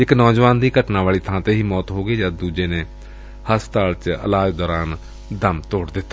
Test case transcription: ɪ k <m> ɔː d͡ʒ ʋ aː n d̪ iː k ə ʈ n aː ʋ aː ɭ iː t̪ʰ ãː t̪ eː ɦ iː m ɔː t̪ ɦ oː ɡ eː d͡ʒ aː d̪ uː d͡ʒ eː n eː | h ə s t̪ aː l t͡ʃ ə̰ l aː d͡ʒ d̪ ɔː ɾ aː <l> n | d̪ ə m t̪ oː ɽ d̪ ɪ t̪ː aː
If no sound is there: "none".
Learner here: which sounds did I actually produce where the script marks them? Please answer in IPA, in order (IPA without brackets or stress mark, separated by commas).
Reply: n, none